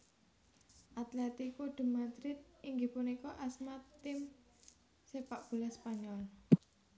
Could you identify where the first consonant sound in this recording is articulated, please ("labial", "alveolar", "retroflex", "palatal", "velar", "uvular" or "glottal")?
glottal